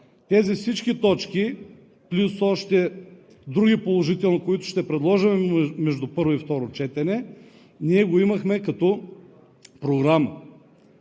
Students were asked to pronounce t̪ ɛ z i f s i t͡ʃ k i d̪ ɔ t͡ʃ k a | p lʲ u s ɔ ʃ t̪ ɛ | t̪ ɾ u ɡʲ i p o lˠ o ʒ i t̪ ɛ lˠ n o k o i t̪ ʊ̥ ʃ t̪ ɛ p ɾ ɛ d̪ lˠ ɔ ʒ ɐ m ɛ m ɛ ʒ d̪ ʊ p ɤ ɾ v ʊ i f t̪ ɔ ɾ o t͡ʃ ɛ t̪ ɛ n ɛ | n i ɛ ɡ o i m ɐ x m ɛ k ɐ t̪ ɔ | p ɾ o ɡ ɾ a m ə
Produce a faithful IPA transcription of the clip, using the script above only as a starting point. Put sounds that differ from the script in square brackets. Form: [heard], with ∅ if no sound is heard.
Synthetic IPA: t̪ ɛ z i f s i t͡ʃ k i [t̪] ɔ t͡ʃ k [i] | p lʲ u s ɔ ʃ t̪ ɛ | [d̪] ɾ u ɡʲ i p o lˠ o ʒ i t̪ ɛ lˠ n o k o i t̪ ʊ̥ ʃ t̪ ɛ p ɾ ɛ d̪ lˠ ɔ ʒ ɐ m ɛ m ɛ ʒ d̪ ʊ p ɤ ɾ v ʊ i f t̪ ɔ ɾ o t͡ʃ ɛ t̪ ɛ n ɛ | n i ɛ ɡ o i m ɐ x m ɛ k ɐ t̪ ɔ | p ɾ o ɡ ɾ a m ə